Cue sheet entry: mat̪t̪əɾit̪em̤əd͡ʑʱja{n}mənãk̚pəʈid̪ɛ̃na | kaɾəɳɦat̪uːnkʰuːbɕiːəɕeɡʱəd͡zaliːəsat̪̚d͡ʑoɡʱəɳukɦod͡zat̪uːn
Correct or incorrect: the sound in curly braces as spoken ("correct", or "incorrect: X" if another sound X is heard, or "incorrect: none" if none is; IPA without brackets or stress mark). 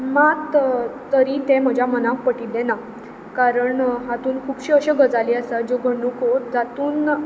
incorrect: none